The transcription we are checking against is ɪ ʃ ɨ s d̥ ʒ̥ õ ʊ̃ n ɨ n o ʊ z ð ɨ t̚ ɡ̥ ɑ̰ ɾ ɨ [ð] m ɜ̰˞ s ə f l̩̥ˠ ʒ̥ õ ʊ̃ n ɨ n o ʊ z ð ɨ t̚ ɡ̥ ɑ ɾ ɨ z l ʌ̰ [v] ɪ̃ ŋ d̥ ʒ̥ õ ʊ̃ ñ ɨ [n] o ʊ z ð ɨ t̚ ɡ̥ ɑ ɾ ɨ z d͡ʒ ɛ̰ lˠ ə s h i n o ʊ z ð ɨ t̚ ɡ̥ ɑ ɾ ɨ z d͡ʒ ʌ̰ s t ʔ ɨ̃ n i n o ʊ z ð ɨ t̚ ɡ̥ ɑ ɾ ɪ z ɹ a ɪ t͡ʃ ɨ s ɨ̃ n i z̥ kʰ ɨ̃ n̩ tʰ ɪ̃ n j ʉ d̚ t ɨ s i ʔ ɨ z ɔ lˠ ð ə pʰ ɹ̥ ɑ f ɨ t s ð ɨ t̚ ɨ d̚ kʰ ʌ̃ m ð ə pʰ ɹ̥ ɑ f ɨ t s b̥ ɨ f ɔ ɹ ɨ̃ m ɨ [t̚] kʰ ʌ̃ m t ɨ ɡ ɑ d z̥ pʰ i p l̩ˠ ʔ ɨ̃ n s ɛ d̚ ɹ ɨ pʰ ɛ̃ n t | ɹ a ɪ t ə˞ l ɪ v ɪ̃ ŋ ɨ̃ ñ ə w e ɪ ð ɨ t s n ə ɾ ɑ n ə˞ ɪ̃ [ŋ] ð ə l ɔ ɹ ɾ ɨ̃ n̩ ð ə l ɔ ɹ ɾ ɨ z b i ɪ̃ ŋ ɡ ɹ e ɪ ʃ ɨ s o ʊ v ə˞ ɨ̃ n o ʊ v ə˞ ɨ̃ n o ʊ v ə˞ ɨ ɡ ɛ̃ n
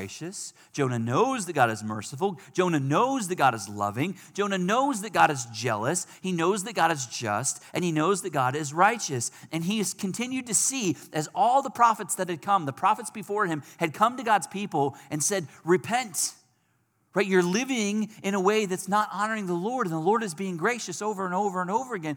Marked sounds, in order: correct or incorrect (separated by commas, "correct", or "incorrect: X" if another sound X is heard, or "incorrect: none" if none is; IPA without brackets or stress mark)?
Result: incorrect: z, correct, correct, incorrect: d̚, correct